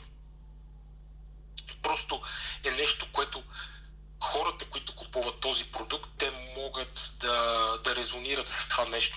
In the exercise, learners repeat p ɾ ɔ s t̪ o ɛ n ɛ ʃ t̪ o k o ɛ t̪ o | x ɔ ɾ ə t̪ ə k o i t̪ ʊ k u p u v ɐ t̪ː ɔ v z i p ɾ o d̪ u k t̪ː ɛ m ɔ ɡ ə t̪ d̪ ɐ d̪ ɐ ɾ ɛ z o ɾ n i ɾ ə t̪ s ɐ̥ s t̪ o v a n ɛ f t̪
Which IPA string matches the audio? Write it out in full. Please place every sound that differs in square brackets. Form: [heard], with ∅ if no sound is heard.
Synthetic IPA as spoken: p ɾ ɔ s t̪ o ɛ n ɛ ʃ t̪ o k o ɛ t̪ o | x ɔ ɾ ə t̪ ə k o i t̪ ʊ k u p u v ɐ t̪ː ɔ [∅] z i p ɾ o d̪ u k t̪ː ɛ m ɔ ɡ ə t̪ d̪ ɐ d̪ ɐ ɾ ɛ z o [∅] n i ɾ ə t̪ s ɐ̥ s t̪ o v a n ɛ [ʃ] t̪